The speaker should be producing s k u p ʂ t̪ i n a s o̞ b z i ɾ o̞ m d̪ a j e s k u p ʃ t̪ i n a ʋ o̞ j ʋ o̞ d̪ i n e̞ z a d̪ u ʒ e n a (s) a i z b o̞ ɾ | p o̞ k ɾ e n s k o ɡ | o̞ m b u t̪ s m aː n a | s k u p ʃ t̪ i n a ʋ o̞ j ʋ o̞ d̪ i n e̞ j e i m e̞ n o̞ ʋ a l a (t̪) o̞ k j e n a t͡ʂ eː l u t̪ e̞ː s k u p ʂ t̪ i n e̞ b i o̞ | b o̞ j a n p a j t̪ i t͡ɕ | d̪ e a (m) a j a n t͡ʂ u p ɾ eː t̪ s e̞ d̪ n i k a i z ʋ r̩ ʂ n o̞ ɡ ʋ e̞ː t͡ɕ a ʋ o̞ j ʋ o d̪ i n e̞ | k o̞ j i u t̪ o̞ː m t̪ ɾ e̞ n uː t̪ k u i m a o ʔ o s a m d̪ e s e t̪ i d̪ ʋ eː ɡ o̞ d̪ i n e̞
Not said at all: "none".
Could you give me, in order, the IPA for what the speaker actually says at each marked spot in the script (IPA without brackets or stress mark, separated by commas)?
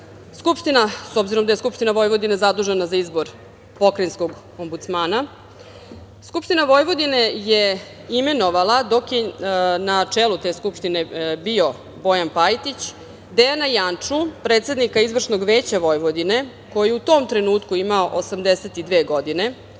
z, d̪, n